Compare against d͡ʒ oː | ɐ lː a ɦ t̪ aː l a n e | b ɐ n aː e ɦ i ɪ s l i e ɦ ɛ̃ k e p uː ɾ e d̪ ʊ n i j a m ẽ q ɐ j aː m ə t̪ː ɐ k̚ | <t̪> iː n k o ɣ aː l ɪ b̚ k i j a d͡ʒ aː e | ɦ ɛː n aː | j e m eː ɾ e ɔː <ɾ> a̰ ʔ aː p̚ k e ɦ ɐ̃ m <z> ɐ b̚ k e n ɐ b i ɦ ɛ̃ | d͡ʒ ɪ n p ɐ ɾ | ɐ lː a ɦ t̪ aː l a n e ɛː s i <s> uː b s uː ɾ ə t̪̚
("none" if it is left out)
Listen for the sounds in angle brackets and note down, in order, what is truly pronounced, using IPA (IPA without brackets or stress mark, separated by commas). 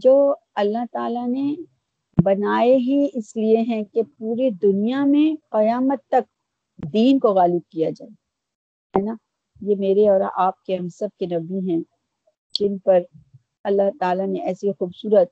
d̪, ɾ, s, x